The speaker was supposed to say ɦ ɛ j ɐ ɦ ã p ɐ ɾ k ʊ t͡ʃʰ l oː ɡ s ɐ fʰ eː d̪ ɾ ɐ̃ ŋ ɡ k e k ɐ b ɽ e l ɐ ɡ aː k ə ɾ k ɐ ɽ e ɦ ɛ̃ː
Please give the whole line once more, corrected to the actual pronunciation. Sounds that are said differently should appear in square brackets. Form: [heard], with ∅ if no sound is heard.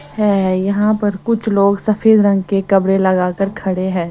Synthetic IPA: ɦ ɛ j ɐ ɦ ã p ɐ ɾ k ʊ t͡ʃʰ l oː ɡ s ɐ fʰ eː d̪ ɾ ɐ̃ ŋ ɡ k e k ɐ b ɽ e l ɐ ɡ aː k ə ɾ [kʰ] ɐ ɽ e ɦ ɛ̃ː